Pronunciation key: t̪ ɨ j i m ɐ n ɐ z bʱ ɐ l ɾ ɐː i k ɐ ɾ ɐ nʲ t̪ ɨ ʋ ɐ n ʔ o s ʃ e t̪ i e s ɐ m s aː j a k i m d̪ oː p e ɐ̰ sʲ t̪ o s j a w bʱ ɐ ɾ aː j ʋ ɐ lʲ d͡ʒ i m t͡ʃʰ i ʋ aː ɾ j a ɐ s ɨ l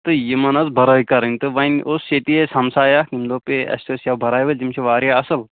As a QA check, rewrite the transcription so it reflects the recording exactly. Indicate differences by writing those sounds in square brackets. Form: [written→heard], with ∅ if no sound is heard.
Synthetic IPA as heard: t̪ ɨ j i m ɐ n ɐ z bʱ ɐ [l→∅] ɾ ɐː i k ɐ ɾ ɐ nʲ t̪ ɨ ʋ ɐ n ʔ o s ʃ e t̪ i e s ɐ m s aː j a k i m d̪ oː p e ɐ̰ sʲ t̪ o s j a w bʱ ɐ ɾ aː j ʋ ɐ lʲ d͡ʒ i m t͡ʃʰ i ʋ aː ɾ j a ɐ s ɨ l